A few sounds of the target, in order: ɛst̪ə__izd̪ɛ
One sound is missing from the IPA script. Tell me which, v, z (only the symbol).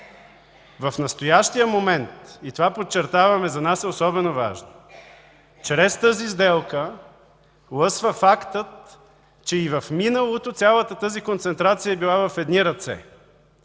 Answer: z